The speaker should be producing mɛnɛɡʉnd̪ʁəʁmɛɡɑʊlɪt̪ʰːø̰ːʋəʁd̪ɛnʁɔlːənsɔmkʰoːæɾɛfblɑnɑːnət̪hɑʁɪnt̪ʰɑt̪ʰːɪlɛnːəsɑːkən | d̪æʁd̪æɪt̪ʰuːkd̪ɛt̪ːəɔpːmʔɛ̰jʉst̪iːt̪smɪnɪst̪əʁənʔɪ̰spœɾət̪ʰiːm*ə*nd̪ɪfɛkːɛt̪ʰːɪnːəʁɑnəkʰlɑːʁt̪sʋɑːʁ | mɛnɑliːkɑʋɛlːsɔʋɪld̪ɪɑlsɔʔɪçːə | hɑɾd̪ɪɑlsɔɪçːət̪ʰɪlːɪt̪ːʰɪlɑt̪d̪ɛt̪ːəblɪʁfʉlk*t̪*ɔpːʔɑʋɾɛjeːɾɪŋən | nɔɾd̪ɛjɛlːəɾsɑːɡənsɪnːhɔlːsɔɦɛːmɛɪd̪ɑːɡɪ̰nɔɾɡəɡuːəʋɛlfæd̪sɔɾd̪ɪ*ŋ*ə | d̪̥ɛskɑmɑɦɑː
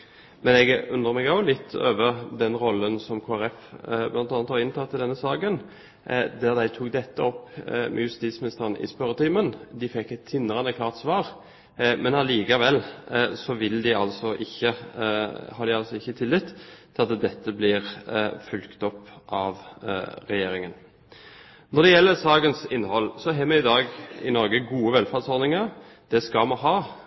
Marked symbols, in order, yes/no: yes, yes, yes

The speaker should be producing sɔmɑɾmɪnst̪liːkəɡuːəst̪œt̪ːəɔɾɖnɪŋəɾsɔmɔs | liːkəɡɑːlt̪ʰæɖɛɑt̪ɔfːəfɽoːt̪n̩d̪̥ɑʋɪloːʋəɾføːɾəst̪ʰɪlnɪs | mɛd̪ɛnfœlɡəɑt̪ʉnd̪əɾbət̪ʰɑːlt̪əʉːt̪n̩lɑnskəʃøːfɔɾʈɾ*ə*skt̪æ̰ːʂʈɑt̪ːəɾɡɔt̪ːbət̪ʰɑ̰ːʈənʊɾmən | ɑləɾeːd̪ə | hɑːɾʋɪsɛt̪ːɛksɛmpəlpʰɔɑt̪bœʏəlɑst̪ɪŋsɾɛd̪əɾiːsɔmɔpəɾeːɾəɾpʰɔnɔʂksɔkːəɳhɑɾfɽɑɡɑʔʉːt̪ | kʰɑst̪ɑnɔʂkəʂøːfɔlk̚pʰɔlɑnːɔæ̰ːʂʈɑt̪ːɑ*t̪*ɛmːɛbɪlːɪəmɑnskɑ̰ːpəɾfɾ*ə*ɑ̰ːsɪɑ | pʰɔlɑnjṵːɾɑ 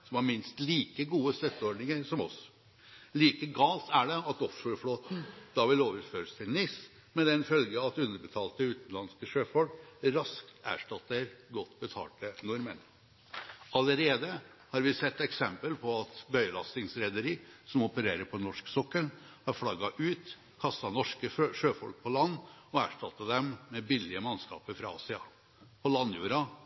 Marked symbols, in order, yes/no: no, no, no

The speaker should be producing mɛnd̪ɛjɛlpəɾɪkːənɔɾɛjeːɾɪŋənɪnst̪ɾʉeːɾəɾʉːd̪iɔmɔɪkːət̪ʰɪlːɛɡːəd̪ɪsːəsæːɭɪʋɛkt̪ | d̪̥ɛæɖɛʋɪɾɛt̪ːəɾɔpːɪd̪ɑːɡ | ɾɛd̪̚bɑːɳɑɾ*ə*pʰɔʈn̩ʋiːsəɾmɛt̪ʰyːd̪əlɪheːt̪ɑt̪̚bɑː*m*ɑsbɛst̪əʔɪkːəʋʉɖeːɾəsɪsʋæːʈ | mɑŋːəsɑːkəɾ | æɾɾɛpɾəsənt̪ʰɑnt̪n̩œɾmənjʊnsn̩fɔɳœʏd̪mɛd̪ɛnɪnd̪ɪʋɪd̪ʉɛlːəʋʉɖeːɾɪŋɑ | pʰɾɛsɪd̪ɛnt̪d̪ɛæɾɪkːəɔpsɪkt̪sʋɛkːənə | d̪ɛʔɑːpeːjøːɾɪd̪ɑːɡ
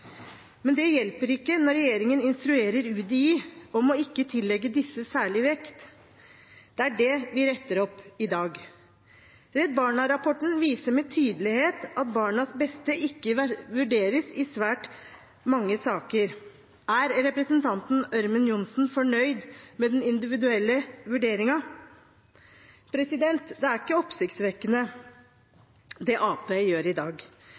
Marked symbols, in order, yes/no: no, no

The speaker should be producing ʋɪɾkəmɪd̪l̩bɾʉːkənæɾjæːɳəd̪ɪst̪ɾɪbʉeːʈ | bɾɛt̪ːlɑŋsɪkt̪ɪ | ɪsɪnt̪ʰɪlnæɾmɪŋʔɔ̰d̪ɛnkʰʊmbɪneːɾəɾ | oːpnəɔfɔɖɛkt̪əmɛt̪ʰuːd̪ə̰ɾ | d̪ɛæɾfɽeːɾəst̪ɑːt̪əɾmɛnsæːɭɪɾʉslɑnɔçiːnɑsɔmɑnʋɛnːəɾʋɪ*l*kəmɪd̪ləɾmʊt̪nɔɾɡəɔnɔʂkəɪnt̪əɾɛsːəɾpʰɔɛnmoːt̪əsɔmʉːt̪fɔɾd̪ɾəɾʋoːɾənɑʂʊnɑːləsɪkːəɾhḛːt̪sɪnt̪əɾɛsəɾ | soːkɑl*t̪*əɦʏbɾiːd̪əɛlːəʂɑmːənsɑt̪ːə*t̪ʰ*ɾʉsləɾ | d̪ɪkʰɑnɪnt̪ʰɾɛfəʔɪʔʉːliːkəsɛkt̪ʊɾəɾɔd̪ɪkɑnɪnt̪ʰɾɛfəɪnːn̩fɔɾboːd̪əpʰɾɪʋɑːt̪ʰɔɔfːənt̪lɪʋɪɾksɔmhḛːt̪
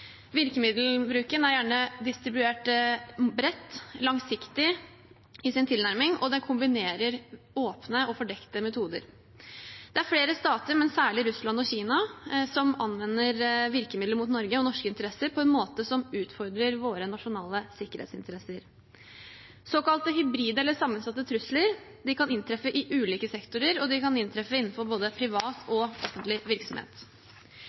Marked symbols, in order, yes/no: no, yes, yes

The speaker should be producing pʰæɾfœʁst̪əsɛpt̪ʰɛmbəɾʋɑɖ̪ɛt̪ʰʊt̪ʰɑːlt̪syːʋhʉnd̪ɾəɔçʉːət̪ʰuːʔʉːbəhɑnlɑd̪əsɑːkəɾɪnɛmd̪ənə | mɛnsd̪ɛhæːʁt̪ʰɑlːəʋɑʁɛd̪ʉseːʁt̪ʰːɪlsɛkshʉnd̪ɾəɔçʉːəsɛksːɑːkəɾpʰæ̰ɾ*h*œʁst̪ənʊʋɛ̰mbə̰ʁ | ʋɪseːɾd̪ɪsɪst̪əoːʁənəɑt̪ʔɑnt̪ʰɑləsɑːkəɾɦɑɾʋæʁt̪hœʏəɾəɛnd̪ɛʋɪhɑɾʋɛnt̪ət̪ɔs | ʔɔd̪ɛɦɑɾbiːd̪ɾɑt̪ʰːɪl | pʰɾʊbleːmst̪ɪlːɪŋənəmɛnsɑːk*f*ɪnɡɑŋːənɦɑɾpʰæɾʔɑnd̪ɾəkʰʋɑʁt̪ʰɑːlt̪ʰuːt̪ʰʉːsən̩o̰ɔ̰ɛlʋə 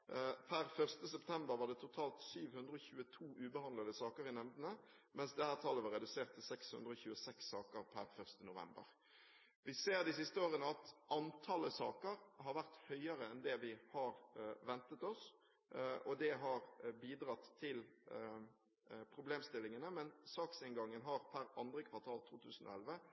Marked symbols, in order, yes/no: no, no

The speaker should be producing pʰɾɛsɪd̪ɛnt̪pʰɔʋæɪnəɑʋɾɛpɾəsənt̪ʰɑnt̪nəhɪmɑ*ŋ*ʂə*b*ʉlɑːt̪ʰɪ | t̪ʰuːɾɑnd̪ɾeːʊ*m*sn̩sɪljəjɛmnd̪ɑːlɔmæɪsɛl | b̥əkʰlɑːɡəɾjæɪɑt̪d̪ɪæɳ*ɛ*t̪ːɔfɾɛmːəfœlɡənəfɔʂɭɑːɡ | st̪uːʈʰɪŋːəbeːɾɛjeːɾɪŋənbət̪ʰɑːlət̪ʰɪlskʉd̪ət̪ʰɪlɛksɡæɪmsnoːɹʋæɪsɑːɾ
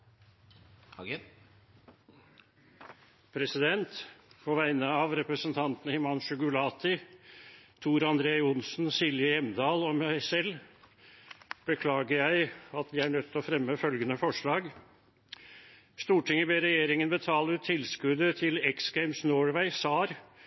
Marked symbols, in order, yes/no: no, no, no, no

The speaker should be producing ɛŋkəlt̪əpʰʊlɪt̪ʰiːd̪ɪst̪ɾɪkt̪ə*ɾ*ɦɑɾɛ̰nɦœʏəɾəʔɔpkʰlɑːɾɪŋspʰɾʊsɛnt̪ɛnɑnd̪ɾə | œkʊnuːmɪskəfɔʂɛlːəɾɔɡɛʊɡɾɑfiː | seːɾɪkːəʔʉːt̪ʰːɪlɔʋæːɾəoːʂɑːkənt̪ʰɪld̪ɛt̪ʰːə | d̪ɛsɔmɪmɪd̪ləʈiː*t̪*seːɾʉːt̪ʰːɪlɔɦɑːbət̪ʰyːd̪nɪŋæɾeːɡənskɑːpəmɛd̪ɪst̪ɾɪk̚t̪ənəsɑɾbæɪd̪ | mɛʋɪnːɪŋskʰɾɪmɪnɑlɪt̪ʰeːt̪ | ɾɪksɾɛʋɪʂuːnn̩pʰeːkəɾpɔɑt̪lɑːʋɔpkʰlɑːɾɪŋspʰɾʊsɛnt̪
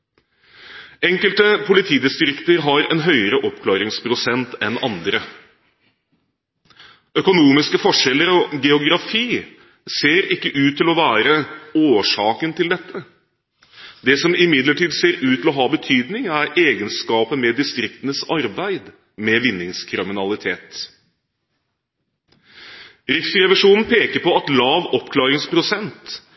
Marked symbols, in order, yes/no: yes, no

